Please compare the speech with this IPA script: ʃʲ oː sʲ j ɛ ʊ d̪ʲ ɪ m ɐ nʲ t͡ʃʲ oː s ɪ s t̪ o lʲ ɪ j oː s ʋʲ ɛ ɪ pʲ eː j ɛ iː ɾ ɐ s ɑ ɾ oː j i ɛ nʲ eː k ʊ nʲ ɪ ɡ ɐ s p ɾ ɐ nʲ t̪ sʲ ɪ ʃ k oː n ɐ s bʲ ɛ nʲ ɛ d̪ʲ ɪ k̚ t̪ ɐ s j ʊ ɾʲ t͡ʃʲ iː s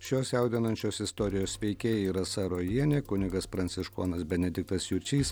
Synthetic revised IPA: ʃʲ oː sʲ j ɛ ʊ d̪ʲ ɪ n ɐ nʲ t͡ʃʲ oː s ɪ s t̪ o ɾʲ ɪ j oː s ʋʲ ɛ ɪ kʲ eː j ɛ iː ɾ ɐ s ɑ ɾ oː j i ɛ nʲ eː k ʊ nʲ ɪ ɡ ɐ s p ɾ ɐ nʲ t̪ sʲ ɪ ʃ k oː n ɐ s bʲ ɛ nʲ ɛ d̪ʲ ɪ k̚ t̪ ɐ s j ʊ ɾʲ t͡ʃʲ iː s